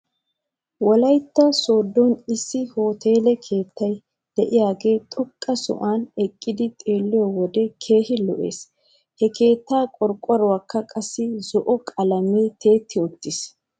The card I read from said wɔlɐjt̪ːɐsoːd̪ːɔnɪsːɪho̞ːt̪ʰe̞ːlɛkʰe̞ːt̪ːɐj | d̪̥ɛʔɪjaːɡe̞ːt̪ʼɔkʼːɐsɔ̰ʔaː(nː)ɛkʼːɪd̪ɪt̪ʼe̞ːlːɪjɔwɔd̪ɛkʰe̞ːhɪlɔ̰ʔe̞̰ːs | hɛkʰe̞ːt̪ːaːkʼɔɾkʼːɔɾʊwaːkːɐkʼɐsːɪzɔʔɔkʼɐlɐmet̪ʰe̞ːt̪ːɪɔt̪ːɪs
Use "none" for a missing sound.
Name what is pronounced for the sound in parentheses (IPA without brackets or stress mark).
n